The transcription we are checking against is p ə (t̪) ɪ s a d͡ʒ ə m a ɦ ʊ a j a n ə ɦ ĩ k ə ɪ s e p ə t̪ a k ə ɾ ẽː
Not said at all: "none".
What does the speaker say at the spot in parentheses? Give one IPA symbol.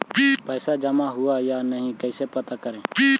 none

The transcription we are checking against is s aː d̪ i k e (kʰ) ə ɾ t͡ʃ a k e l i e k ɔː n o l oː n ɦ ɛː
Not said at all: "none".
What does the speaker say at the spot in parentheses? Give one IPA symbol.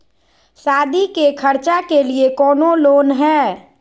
kʰ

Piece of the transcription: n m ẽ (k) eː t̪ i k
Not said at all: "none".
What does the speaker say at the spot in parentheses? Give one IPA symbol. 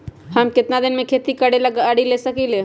kʰ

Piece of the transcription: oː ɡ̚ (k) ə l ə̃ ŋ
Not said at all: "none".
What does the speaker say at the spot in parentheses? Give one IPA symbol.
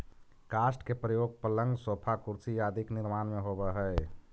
p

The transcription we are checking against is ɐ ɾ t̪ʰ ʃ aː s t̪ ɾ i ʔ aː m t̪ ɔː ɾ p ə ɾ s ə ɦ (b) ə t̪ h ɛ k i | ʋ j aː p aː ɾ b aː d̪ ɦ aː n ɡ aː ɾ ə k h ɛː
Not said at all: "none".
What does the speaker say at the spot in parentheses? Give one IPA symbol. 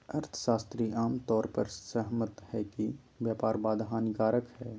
m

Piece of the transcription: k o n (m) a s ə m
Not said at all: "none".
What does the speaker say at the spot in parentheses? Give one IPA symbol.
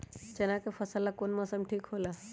m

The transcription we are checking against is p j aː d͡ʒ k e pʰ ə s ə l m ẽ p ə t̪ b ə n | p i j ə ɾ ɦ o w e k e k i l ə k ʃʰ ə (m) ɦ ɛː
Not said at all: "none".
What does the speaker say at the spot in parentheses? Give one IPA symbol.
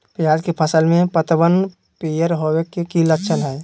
n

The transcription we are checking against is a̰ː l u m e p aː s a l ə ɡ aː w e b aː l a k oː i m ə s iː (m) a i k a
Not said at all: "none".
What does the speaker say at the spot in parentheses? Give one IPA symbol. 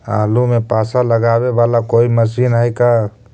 n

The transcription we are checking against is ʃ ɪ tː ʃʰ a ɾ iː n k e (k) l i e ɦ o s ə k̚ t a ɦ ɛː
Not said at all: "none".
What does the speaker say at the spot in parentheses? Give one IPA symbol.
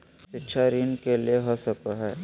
none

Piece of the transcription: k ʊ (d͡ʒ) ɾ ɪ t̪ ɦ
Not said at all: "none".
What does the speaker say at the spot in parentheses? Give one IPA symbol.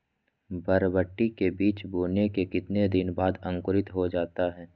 none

